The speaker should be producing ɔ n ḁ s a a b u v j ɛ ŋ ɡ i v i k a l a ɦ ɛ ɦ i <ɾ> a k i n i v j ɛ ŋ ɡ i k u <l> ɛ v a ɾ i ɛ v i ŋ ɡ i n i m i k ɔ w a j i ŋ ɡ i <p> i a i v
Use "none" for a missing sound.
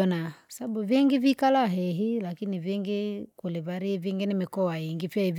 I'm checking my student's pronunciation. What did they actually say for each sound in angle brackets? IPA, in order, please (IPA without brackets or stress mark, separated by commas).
l, l, p